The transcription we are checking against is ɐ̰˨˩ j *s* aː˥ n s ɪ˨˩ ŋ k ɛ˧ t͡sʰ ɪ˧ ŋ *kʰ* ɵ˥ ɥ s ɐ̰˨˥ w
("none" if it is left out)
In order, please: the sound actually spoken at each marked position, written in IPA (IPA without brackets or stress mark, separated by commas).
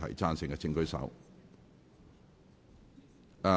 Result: t͡s, k